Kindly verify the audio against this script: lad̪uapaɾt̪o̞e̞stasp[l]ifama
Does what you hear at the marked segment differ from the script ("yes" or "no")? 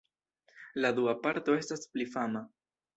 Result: no